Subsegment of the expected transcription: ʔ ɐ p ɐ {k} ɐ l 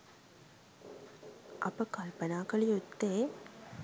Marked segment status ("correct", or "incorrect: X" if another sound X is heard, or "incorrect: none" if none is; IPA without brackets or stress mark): correct